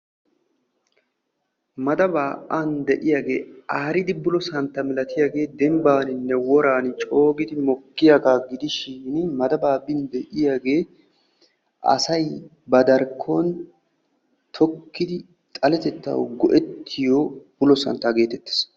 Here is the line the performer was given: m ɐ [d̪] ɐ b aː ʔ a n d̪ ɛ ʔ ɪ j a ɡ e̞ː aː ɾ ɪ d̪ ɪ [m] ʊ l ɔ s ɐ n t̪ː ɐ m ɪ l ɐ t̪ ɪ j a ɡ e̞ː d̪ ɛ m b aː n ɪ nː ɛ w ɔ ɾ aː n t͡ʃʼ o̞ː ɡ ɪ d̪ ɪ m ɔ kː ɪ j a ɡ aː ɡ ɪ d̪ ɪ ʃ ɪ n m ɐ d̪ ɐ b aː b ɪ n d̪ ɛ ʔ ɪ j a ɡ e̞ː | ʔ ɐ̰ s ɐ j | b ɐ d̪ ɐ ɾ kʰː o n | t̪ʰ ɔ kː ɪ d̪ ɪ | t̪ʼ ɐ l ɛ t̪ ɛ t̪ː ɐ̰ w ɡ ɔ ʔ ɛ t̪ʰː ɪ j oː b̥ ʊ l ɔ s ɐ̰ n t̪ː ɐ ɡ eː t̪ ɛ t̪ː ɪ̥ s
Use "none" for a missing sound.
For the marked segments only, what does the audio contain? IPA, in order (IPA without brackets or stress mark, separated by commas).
d̪, b